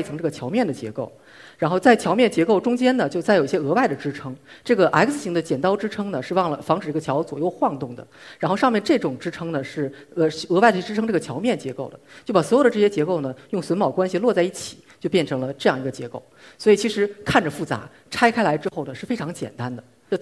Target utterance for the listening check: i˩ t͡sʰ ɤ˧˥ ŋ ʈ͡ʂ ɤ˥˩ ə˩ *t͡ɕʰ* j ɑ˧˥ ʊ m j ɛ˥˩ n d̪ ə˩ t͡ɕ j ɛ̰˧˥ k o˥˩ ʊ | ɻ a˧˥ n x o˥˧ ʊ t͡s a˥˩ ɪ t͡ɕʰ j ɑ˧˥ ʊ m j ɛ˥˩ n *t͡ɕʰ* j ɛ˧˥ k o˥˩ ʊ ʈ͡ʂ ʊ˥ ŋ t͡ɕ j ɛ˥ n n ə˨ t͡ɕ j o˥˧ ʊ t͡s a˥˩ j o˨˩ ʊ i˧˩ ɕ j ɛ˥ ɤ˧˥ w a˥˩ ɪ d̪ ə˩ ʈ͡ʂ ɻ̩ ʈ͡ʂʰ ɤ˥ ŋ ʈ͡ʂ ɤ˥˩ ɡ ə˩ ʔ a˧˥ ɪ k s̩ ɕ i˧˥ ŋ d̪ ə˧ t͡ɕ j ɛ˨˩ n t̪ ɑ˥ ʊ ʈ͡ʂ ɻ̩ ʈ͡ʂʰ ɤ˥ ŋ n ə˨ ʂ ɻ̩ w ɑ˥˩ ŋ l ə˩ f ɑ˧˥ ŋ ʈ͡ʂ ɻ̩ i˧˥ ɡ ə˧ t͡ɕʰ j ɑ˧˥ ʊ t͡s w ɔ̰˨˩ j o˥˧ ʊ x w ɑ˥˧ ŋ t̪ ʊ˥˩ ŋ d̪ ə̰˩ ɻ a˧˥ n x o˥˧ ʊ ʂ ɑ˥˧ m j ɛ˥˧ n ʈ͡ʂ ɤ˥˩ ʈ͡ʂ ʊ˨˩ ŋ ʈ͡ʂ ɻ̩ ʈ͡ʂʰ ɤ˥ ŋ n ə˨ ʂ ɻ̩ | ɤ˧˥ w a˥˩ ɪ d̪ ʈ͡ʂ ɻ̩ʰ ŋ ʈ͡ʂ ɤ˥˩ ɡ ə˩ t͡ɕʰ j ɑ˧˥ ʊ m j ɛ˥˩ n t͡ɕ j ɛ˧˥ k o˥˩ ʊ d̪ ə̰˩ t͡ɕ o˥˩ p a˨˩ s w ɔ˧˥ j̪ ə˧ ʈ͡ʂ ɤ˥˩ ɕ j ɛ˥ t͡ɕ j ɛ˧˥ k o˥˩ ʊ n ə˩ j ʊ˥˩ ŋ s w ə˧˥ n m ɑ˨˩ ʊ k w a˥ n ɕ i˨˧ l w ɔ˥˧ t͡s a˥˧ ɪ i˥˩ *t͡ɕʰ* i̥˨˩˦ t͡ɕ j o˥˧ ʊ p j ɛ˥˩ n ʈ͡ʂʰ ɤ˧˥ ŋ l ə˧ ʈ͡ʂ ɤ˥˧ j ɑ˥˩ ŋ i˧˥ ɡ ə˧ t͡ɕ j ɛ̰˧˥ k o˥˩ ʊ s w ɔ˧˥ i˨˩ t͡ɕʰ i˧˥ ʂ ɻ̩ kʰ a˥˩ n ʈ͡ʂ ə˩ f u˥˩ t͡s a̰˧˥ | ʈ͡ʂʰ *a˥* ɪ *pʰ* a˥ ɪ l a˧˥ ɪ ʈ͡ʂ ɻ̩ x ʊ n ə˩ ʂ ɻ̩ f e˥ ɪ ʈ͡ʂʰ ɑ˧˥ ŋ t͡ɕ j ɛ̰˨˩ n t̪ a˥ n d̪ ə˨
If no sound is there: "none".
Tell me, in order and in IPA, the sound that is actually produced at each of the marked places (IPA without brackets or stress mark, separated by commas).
t͡ɕʰ, t͡ɕ, t͡ɕʰ, a˥, kʰ